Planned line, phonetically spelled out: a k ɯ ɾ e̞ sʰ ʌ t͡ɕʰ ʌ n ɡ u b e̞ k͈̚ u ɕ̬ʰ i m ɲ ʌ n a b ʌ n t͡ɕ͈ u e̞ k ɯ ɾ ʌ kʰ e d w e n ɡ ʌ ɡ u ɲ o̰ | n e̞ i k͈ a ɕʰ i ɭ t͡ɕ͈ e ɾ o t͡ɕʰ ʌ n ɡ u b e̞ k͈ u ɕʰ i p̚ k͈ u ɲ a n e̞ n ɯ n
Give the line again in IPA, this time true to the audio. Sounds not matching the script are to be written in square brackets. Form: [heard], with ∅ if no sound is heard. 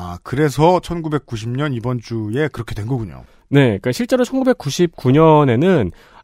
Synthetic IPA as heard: a k ɯ ɾ e̞ sʰ ʌ t͡ɕʰ ʌ n ɡ u b e̞ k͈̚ u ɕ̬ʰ i m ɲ ʌ n [i] b ʌ n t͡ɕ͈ u e̞ k ɯ ɾ ʌ kʰ e d w e n ɡ ʌ ɡ u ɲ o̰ | n e̞ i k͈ a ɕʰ i ɭ t͡ɕ͈ e ɾ o t͡ɕʰ ʌ n ɡ u b e̞ k͈ u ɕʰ i p̚ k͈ u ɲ [ʌ] n e̞ n ɯ n